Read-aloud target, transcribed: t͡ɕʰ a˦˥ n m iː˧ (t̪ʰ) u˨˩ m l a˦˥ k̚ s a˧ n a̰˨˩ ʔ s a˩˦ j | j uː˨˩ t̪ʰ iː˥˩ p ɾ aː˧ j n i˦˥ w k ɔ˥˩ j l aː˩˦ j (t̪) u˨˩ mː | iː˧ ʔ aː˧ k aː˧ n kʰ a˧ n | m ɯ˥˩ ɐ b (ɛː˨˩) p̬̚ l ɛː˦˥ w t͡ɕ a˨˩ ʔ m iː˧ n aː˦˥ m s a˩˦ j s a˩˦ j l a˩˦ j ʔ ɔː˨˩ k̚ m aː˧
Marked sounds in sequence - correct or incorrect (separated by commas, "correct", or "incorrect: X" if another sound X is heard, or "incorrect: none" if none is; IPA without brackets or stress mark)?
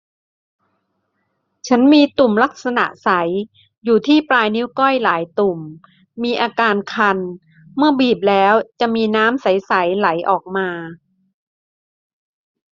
incorrect: t̪, correct, incorrect: iː˨˩